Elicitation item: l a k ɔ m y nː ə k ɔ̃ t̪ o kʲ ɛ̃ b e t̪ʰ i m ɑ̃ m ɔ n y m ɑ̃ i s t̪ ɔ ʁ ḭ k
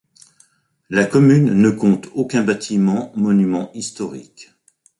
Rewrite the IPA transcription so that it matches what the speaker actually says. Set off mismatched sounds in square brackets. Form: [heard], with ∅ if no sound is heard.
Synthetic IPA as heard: l a k ɔ m y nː ə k ɔ̃ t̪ o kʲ ɛ̃ b [a] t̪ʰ i m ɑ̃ m ɔ n y m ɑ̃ i s t̪ ɔ ʁ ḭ k

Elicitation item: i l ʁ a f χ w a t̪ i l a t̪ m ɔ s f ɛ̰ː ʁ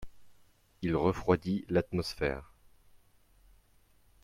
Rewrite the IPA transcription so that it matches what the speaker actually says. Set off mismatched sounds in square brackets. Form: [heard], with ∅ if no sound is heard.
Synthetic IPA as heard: i l ʁ [ə] f χ w a [d̪] i l a t̪ m ɔ s f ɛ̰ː ʁ

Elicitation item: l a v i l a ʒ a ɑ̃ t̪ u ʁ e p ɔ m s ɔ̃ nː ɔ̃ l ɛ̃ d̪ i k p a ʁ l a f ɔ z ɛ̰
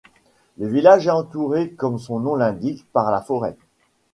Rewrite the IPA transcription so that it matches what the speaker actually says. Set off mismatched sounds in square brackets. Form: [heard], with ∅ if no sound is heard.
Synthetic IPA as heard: l [ə] v i l a ʒ [ɛ] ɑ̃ t̪ u ʁ e [k] ɔ m s ɔ̃ [n] ɔ̃ l ɛ̃ d̪ i k p a ʁ l a f ɔ [ʁ] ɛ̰

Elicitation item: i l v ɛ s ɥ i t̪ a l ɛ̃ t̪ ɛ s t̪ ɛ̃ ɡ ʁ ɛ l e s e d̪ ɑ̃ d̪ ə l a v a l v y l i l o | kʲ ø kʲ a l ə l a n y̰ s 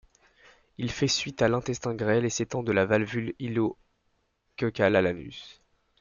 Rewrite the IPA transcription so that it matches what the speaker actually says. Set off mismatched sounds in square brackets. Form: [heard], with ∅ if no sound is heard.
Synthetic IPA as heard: i l [f] ɛ s ɥ i t̪ a l ɛ̃ t̪ ɛ s t̪ ɛ̃ ɡ ʁ ɛ l e s e [t̪] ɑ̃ d̪ ə l a v a l v y l i l o | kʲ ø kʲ a l [a] l a n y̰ s

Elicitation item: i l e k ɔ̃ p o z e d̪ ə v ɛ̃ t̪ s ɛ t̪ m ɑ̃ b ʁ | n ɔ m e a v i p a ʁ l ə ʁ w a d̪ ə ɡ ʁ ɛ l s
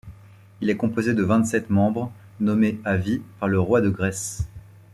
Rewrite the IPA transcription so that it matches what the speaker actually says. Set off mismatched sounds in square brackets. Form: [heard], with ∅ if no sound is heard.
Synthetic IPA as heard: i l [ɛ] k ɔ̃ p o z e d̪ ə v ɛ̃ t̪ s ɛ t̪ m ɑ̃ b ʁ | n ɔ m e a v i p a ʁ l ə ʁ w a d̪ ə ɡ ʁ ɛ [∅] s

